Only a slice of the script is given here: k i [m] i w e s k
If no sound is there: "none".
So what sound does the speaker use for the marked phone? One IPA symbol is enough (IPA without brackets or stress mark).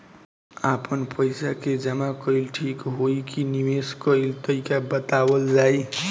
n